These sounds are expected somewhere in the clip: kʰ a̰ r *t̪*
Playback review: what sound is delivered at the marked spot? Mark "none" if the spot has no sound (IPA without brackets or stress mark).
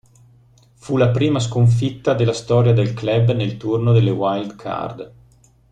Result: d̪